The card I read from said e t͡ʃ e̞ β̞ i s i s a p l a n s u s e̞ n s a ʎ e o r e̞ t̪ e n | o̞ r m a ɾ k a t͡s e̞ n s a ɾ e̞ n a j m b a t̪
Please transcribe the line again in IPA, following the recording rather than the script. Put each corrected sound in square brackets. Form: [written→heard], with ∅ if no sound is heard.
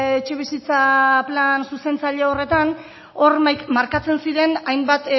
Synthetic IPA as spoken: e t͡ʃ e̞ β̞ i s i [s→t͡s] a p l a n s u s e̞ n [s→t͡s] a ʎ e o r e̞ t̪ [e→a] n | o̞ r m a ɾ k a t͡s e̞ n s [a→i] ɾ e̞ n a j m b a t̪